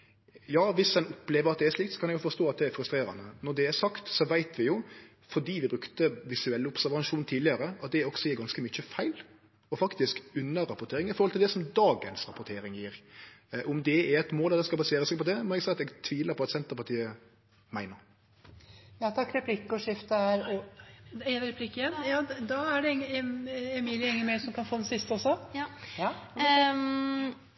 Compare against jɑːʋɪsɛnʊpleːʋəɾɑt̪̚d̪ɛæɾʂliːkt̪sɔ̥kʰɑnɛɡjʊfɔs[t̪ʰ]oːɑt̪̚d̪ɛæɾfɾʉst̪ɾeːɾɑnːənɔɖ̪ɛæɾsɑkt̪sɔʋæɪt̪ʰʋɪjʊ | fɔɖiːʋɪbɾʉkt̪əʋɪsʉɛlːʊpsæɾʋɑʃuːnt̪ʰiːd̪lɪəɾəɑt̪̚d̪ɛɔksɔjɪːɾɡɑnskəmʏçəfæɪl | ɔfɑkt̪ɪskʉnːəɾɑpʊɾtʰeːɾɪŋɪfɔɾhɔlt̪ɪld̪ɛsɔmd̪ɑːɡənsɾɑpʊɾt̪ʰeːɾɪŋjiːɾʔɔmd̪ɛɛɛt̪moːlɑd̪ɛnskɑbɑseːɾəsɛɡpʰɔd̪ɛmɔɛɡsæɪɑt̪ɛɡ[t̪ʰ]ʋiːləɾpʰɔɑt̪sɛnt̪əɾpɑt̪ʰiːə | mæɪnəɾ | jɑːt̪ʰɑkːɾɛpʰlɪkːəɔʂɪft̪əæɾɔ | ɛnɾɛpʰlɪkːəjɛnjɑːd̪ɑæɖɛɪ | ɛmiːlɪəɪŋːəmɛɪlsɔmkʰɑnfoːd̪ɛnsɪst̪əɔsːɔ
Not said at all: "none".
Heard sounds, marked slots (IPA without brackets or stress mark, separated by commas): t̪, t̪ʰ